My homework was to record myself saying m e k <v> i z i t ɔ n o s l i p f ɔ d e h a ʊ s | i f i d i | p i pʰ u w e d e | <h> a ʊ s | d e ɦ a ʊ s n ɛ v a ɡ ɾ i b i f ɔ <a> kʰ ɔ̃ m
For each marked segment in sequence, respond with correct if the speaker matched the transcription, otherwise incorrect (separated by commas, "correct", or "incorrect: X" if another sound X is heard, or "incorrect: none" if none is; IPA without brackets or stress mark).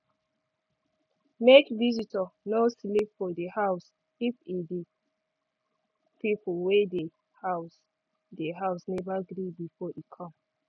correct, correct, incorrect: i